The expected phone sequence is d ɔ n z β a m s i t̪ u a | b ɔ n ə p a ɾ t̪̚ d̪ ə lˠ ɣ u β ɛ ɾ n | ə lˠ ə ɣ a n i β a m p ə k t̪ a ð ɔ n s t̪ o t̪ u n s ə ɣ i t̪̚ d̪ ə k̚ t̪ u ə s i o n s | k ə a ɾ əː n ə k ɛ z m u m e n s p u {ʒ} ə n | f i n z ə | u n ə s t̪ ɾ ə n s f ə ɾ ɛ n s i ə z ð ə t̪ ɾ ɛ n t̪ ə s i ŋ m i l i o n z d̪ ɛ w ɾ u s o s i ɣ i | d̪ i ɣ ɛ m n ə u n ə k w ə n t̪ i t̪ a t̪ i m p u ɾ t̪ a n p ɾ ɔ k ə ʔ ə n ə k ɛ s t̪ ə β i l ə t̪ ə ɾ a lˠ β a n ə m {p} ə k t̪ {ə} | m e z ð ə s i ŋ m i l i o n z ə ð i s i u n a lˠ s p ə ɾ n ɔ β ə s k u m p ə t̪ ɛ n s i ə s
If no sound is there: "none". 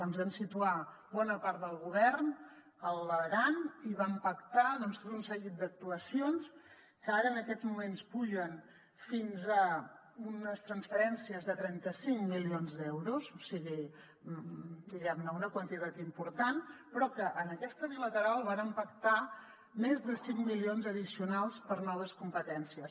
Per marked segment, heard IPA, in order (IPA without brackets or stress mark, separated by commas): ʒ, p, a